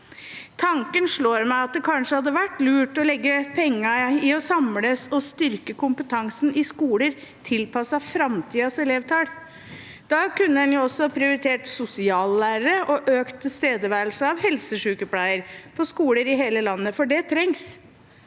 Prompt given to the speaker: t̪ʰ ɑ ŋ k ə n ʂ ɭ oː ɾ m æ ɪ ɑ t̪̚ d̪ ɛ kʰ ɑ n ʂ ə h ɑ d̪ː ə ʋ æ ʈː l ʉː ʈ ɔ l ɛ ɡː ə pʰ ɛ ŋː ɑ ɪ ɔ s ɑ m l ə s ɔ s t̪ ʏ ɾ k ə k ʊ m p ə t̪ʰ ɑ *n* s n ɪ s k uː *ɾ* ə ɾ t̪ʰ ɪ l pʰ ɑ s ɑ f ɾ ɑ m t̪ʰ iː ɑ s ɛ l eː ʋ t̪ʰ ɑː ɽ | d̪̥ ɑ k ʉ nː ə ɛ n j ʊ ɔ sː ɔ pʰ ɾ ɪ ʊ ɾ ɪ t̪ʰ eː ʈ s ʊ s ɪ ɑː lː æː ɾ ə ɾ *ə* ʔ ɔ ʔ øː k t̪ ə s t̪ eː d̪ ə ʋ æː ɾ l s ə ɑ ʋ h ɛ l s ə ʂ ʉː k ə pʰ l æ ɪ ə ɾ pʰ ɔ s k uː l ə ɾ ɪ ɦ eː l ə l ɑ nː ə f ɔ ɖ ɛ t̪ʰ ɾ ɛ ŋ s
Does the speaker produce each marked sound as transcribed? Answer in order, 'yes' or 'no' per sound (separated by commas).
no, no, yes